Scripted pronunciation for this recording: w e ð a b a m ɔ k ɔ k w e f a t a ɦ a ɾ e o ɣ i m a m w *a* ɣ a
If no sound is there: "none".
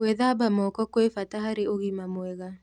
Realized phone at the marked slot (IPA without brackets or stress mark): ɛ